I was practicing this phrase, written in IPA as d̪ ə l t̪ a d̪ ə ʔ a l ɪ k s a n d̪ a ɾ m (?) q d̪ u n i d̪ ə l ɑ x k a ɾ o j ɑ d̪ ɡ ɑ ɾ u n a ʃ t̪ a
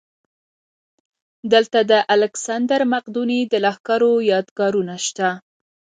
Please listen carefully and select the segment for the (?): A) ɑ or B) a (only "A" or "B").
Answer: B